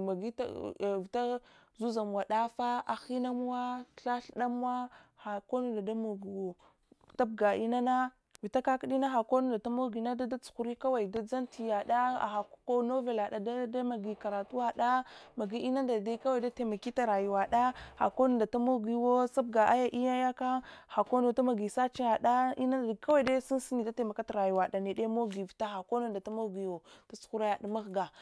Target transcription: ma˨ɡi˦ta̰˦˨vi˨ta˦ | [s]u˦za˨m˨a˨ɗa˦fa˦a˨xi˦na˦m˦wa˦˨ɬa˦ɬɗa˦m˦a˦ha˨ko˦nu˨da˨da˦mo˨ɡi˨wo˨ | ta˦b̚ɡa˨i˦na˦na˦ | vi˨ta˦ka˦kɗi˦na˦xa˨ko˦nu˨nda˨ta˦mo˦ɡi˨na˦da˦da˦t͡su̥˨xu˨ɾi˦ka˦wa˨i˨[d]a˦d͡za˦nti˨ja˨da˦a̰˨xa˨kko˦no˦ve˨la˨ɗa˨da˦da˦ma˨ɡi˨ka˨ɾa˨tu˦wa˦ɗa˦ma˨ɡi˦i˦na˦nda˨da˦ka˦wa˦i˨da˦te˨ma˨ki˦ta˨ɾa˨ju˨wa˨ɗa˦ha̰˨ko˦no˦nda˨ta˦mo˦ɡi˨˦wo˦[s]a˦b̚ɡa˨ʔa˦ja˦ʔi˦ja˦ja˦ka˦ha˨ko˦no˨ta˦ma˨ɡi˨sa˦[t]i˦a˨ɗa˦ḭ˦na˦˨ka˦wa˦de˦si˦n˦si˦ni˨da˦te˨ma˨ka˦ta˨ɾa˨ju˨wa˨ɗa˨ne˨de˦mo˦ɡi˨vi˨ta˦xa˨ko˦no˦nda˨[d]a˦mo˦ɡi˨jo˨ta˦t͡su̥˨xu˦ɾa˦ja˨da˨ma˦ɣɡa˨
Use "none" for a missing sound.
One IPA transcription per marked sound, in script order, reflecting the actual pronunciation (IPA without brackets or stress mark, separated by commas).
z, d, s, t͡ʃ, t